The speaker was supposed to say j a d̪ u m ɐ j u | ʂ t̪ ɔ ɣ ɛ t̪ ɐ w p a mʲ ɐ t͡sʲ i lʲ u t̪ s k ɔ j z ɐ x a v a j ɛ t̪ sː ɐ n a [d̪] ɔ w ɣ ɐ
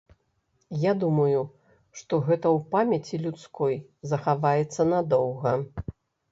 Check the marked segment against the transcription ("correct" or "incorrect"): correct